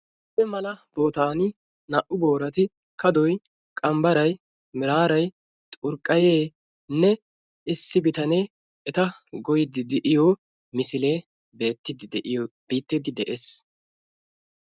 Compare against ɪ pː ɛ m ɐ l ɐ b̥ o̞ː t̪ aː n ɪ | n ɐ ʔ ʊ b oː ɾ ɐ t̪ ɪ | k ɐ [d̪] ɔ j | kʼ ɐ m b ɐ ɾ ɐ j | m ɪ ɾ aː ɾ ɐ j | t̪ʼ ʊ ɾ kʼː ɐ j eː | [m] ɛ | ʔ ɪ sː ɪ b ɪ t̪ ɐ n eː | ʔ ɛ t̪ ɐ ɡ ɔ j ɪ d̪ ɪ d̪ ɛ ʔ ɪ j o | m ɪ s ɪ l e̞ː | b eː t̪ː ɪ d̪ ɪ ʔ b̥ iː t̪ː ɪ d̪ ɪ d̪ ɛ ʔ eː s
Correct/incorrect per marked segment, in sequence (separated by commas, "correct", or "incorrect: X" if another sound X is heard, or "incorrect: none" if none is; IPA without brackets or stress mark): correct, incorrect: n